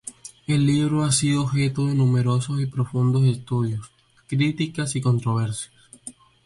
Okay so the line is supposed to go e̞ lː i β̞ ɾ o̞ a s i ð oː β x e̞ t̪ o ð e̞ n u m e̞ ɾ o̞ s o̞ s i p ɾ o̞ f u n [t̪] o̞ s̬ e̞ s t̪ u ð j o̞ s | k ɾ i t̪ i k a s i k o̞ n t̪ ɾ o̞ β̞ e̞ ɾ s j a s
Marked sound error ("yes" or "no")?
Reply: yes